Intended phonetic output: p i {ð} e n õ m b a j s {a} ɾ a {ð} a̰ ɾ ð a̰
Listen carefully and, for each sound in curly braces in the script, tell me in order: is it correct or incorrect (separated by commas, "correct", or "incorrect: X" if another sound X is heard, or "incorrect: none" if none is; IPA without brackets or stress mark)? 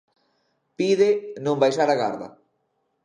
correct, correct, incorrect: ɣ